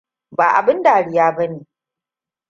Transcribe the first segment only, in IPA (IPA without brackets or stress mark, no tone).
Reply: b